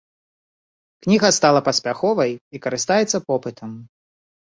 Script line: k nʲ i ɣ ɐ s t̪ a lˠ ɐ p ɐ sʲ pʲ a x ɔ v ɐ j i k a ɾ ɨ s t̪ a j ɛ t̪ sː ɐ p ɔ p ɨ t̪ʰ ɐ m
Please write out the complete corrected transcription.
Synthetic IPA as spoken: k nʲ i ɣ ɐ s t̪ a lˠ ɐ p ɐ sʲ pʲ a x ɔ v ɐ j i k ɐ ɾ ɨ s t̪ a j ɛ t̪ sː ɐ p ɔ p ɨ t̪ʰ ɐ m